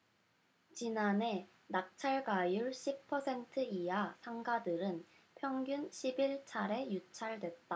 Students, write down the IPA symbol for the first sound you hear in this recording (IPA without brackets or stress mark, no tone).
t͡ɕ